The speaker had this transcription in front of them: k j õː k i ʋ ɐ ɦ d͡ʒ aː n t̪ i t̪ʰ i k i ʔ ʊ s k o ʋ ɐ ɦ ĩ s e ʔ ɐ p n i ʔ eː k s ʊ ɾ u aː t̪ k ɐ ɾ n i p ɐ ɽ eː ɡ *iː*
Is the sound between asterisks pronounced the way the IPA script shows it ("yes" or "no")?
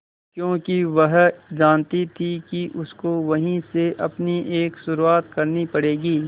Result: yes